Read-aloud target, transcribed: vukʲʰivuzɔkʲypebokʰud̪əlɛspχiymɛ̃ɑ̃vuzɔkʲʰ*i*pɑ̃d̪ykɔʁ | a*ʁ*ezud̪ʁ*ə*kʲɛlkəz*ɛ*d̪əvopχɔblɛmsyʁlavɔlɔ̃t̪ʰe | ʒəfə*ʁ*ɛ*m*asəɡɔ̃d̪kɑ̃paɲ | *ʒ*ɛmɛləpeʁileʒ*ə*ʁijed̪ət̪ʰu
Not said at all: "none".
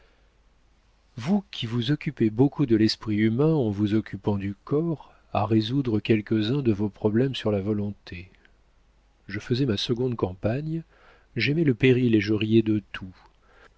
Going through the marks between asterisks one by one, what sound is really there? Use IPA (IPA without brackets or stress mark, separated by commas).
y, ʁ, ə, ɛ̃, z, m, ʒ, ə